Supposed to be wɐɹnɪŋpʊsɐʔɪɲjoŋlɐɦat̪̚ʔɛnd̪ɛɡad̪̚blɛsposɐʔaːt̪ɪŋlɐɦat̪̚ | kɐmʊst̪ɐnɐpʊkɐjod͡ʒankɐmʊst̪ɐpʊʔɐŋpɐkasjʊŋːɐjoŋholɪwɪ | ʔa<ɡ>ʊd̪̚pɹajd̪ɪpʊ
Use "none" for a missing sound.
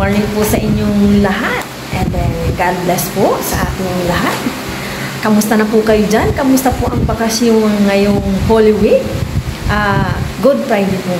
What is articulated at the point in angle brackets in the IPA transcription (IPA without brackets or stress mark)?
ɡ